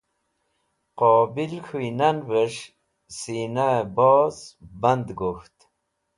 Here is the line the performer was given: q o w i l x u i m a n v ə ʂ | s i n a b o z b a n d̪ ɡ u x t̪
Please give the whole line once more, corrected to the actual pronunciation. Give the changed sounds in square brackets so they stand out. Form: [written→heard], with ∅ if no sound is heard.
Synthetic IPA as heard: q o [w→b] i l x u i [m→n] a n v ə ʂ | s i n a b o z b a n d̪ ɡ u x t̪